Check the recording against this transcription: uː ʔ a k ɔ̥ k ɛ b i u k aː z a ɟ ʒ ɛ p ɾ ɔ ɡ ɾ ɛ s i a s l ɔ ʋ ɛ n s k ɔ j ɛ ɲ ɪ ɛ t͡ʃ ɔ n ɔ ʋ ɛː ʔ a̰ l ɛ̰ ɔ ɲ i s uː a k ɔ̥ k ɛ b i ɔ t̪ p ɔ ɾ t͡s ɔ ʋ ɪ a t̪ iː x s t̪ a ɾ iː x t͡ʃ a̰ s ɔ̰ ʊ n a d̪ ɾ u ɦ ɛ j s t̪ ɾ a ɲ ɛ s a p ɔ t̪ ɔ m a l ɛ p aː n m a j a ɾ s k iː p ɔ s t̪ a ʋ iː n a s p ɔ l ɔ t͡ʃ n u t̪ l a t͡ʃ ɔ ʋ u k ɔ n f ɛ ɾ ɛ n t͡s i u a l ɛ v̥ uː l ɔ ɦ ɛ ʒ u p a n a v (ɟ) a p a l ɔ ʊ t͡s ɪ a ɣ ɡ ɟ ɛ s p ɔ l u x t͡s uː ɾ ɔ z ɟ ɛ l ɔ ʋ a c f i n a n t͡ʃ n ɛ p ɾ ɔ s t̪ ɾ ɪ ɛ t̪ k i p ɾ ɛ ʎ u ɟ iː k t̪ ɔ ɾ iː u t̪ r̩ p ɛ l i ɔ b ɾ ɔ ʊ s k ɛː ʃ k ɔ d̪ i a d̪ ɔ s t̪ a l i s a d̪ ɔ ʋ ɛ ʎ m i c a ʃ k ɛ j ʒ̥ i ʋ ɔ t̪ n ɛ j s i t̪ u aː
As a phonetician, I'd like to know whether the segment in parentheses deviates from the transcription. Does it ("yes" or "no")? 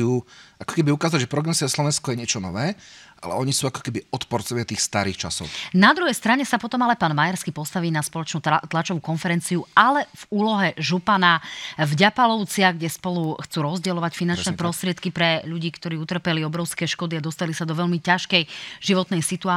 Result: no